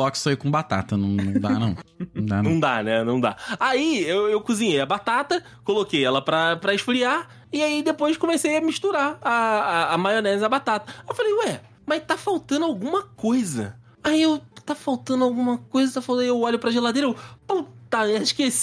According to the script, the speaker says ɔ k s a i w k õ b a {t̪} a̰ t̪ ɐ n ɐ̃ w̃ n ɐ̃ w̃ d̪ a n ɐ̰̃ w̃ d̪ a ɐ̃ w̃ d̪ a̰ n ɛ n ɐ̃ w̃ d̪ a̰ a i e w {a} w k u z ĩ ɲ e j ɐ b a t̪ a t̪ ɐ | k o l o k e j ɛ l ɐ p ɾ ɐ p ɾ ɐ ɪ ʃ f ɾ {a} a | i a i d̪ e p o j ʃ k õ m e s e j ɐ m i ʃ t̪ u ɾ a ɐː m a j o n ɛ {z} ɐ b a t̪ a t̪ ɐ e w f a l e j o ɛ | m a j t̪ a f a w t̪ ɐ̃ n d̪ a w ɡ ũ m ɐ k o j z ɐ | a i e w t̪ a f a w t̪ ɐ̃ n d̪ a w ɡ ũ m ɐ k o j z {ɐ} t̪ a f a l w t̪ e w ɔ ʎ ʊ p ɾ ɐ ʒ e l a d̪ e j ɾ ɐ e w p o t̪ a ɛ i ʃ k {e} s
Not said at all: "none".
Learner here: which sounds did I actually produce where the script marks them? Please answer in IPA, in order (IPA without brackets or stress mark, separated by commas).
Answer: t̪, e, i, z, ɐ, e